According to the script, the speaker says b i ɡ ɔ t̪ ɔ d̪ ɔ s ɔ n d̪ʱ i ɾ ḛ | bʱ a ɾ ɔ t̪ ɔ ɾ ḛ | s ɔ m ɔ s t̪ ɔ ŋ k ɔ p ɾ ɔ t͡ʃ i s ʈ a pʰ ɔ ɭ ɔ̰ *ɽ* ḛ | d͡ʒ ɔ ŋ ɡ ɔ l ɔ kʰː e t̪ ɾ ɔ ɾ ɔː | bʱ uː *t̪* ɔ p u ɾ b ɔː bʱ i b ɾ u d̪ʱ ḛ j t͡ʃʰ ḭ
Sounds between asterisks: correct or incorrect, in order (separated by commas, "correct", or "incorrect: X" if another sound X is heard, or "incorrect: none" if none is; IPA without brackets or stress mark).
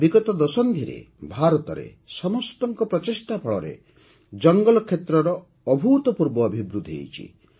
incorrect: ɾ, correct